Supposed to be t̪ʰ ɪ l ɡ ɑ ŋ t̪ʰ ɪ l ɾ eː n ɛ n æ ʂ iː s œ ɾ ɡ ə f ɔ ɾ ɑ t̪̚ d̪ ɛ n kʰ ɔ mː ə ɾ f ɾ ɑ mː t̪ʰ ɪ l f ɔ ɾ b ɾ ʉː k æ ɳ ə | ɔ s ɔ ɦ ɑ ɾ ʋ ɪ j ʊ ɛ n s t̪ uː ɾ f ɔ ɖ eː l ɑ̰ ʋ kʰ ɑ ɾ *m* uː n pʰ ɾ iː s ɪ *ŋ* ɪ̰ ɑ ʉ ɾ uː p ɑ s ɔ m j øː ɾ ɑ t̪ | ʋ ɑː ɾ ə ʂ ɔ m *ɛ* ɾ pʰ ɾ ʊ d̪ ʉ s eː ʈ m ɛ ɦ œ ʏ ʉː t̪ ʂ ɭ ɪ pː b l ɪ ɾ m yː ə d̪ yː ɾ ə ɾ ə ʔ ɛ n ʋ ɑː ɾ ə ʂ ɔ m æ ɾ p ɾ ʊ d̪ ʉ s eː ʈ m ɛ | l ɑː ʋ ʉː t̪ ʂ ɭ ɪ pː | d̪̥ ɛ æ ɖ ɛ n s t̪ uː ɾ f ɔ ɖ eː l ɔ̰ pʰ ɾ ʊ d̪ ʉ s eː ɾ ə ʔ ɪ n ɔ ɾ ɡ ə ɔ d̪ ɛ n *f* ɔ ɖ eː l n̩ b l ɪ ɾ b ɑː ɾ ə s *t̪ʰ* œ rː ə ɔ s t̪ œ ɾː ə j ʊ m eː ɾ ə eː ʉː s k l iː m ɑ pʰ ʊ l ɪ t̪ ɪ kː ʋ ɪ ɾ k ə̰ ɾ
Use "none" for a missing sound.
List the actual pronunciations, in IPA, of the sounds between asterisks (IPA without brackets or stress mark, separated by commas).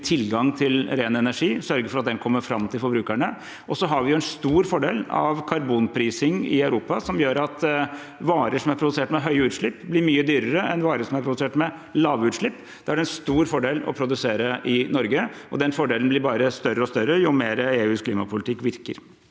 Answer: b, ŋ, æ, f, t̪